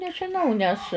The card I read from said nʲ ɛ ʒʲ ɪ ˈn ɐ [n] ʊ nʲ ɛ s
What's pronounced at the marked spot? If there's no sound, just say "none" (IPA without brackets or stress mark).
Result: none